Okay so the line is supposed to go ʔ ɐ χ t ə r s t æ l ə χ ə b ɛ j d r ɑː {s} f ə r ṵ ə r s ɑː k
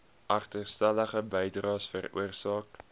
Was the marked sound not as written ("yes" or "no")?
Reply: no